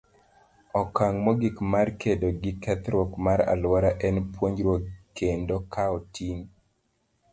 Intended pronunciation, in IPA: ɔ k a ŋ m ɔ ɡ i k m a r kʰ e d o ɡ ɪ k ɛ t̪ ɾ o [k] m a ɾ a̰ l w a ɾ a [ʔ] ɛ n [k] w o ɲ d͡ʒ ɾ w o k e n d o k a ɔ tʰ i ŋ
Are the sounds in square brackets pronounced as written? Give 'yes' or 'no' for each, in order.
yes, yes, no

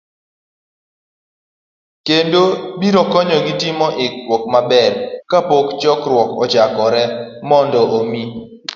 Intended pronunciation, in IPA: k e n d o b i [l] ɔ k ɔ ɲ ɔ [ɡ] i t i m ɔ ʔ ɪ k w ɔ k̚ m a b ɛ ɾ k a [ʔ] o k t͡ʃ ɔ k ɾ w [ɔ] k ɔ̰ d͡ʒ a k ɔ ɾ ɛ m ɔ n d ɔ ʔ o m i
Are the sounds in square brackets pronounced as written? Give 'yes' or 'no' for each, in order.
no, yes, no, yes

